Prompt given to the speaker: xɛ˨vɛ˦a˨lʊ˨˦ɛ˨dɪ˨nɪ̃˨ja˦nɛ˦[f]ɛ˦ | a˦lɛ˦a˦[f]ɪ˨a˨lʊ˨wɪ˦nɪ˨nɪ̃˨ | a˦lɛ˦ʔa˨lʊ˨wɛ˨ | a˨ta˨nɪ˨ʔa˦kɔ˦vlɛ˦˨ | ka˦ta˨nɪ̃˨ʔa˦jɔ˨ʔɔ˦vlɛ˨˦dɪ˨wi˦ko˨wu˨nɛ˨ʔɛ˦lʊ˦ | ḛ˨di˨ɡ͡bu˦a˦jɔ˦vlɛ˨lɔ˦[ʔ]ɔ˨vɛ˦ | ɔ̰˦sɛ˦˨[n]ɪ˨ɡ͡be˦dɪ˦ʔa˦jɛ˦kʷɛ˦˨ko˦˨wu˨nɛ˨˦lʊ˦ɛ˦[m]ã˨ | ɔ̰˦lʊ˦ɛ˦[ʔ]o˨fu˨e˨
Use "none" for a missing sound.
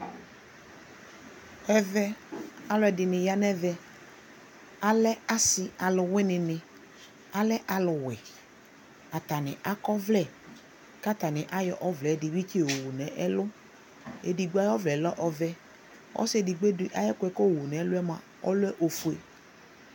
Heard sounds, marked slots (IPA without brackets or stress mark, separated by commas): v, s, ʔ, d, m, ʔ